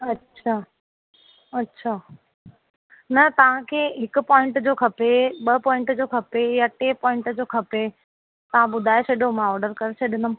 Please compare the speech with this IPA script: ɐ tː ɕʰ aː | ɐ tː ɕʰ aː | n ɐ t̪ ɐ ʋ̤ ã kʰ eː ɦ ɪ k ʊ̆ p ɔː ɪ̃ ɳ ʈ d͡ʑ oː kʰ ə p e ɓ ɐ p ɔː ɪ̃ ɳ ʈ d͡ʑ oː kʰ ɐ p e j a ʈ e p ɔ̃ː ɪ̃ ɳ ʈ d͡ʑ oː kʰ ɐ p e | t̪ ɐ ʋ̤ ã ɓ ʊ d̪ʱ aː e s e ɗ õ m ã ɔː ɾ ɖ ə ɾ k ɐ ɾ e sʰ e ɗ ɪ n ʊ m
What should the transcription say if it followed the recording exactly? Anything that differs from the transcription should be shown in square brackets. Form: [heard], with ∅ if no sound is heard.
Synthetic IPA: ɐ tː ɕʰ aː | ɐ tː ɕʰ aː | n ɐ t̪ ɐ ʋ̤ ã kʰ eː ɦ ɪ k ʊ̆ p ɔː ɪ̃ ɳ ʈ d͡ʑ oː kʰ [ɐ] p e ɓ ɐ p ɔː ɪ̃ ɳ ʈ d͡ʑ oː kʰ ɐ p e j a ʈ e p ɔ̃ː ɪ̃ ɳ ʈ d͡ʑ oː kʰ ɐ p e | t̪ ɐ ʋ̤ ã ɓ ʊ d̪ʱ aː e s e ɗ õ m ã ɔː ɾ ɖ ə ɾ k ɐ ɾ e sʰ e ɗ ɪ n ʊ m